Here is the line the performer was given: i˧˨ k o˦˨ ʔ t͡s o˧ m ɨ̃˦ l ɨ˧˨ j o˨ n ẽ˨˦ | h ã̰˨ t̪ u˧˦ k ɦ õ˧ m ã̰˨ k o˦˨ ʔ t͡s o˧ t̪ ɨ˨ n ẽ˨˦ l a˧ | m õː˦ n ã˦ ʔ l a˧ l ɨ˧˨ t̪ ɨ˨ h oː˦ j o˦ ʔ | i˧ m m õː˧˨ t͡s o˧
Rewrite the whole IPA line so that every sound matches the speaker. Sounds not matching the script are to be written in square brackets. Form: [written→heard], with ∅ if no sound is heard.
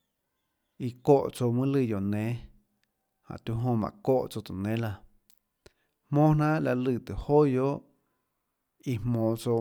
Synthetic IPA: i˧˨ k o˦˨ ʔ t͡s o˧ m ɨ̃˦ l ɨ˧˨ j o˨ n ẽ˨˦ | h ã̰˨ t̪ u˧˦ [k→∅] ɦ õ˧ m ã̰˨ k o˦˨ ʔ t͡s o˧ t̪ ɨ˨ n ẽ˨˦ l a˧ | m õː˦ n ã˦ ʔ l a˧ l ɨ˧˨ t̪ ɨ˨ h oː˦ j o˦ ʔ | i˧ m m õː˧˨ t͡s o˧